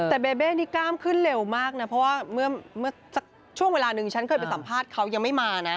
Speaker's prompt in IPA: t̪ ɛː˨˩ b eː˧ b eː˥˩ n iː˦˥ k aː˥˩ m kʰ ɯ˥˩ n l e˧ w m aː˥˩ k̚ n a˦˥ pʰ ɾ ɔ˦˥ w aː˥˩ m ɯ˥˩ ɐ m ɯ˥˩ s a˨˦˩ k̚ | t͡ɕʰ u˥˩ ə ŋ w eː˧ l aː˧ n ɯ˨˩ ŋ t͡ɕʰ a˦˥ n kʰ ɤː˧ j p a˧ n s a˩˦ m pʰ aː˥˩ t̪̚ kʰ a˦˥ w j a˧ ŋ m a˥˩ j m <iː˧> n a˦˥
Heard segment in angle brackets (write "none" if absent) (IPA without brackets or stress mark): aː˧